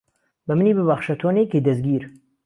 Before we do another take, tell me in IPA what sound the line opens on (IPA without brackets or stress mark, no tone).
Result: b